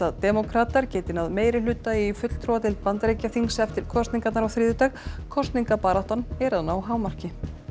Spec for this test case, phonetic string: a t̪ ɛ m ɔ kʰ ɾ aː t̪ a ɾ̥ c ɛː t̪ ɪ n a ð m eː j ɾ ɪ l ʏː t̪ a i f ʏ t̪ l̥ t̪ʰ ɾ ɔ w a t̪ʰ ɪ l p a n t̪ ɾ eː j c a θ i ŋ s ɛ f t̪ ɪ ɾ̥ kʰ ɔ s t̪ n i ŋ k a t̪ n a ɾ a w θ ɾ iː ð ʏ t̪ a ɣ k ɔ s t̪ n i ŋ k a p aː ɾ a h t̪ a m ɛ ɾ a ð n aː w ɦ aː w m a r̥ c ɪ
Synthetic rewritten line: a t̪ ɛ m ɔ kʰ ɾ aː t̪ a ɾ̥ c ɛː t̪ ɪ n a ð m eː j ɾ ɪ l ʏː t̪ a i f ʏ t̪ l̥ t̪ʰ ɾ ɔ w a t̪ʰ ɪ l p a n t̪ ɾ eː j c a θ i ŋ s ɛ f t̪ ɪ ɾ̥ kʰ ɔ s t̪ n i ŋ k a t̪ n a ɾ a w θ ɾ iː ð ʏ t̪ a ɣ kʰ ɔ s t̪ n i ŋ k a p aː ɾ a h t̪ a n ɛ ɾ a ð n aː w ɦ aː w m a r̥ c ɪ